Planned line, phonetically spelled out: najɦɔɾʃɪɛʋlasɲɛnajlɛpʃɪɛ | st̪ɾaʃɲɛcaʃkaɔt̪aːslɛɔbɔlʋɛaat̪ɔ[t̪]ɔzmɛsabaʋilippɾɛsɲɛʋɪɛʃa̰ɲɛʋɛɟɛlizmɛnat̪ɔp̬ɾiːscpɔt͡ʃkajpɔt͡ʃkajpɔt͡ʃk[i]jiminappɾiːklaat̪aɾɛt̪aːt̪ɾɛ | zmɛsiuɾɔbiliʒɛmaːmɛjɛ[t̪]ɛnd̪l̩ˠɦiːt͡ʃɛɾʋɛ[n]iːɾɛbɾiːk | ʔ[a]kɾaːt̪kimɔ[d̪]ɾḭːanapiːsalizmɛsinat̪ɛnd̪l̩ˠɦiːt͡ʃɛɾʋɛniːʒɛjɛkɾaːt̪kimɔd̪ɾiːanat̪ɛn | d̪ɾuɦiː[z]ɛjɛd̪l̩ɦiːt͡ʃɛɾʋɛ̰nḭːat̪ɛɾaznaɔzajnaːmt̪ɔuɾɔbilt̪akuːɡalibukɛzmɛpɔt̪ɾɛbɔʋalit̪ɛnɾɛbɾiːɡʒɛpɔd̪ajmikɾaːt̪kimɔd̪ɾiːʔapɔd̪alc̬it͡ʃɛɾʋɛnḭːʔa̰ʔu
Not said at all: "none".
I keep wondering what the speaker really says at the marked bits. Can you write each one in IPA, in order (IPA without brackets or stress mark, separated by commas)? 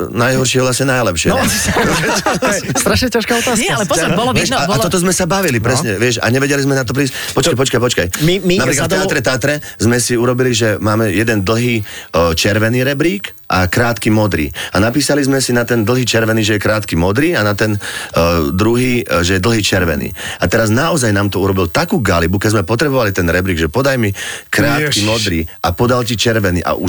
t̪, a, d̪, n, a, d̪, ʒ